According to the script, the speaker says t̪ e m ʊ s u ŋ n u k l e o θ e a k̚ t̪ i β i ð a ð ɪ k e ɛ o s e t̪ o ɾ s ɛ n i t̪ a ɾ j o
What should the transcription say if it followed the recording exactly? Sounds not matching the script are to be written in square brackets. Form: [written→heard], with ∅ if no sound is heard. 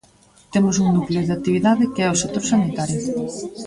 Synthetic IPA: t̪ e m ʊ s u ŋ n u k l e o [θ→ð] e a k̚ t̪ i β i ð a ð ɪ k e ɛ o s e t̪ o ɾ s [ɛ→a] n i t̪ a ɾ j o

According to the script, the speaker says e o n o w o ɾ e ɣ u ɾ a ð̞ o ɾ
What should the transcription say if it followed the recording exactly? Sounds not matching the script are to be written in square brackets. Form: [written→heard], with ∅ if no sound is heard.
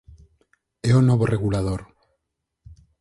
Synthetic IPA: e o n o [w→β] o [ɾ→r] e ɣ u [ɾ→l] a ð̞ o ɾ

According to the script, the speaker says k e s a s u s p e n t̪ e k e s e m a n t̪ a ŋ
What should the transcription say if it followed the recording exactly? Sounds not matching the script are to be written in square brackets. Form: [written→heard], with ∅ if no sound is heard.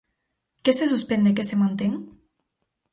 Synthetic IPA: k e s [a→e] s u s p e n [t̪→d̪] e k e s e m a n t̪ [a→e] ŋ

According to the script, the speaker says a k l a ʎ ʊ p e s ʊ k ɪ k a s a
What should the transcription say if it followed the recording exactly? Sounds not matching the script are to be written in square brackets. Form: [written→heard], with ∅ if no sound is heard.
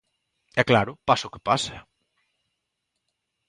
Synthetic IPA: [a→ɛ] k l a [ʎ→ɾ] ʊ p [e→a] s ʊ k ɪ [k→p] a s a

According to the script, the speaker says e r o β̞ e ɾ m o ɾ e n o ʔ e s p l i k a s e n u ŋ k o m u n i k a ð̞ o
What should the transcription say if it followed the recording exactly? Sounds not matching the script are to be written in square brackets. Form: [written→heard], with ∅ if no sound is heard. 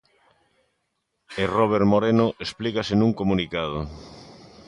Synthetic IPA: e r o β̞ e ɾ m o ɾ e n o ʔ e s p l i k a s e n u ŋ k o m u n i k a ð̞ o

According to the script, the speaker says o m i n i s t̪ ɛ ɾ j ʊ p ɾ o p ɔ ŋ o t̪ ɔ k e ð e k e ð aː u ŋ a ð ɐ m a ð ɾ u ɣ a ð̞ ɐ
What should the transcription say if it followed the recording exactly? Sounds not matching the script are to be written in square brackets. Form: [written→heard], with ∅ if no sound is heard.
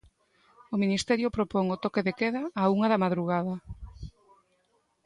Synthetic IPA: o m i n i s t̪ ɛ ɾ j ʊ p ɾ o p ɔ ŋ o t̪ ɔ k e ð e k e ð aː u ŋ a ð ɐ m a ð ɾ u ɣ a ð̞ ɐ

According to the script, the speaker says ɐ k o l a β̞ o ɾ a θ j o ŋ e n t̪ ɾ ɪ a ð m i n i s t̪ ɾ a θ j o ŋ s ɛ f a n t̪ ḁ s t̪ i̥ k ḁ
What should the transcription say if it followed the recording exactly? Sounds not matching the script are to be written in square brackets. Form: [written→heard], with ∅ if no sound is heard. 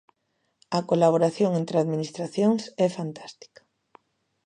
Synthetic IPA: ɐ k o l a β̞ o ɾ a θ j o ŋ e n t̪ ɾ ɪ a ð m i n i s t̪ ɾ a θ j o ŋ s ɛ f a n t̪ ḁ s t̪ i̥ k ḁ

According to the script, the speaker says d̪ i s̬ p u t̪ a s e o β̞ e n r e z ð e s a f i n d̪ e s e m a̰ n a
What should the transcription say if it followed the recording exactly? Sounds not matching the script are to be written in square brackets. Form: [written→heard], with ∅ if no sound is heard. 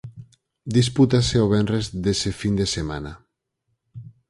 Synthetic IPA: d̪ i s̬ p u t̪ a s e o β̞ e n r e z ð e s [a→e] f i n d̪ e s e m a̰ n a

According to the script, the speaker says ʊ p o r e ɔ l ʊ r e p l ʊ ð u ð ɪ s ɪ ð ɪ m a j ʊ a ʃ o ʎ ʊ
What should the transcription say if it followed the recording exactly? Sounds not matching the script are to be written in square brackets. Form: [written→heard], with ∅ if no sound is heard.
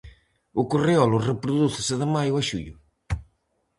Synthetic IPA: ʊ [p→k] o r e ɔ l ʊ r e p [l→ɾ] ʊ ð u [ð→θ] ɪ s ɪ ð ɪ m a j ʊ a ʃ [o→u] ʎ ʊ

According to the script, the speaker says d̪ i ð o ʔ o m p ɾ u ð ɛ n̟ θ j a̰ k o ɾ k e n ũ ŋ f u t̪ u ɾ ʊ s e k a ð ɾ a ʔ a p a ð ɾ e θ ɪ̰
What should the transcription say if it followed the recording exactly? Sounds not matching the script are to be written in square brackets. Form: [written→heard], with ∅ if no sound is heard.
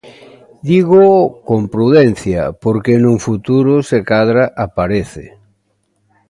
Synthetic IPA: d̪ i [ð→ɣ] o [ʔ→k] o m p ɾ u ð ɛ n̟ θ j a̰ [k→p] o ɾ k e n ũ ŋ f u t̪ u ɾ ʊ s e k a ð ɾ a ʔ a p a [ð→∅] ɾ e θ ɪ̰

